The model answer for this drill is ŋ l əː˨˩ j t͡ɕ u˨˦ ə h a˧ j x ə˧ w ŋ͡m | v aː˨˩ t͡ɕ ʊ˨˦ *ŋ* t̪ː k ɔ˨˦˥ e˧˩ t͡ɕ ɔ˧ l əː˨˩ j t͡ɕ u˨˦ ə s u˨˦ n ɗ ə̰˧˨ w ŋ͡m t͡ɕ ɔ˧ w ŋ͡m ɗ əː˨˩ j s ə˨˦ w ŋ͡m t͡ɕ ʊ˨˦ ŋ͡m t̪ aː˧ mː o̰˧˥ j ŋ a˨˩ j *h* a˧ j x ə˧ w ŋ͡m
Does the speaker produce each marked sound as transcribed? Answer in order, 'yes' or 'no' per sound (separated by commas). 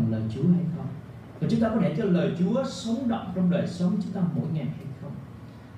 no, yes